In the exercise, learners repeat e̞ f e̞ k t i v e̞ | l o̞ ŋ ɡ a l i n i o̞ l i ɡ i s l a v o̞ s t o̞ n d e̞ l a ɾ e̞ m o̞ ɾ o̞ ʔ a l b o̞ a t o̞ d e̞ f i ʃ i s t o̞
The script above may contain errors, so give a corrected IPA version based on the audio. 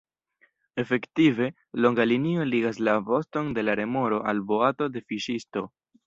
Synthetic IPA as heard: e̞ f e̞ k t i v e̞ | l o̞ ŋ ɡ a l i n i o̞ l i ɡ a s l a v o̞ s t o̞ n d e̞ l a ɾ e̞ m o̞ ɾ o̞ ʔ a l b o̞ a t o̞ d e̞ f i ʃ i s t o̞